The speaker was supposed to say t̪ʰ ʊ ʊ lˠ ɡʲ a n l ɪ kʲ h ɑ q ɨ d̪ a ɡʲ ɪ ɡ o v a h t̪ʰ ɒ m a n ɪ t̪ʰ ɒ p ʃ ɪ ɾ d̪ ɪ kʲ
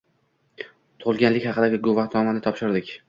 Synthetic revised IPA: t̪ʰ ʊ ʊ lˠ ɡʲ a n l ɪ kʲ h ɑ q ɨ d̪ a ɡʲ ɪ ɡ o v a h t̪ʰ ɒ m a n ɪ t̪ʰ ɒ p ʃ ɪ ɾ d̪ ɪ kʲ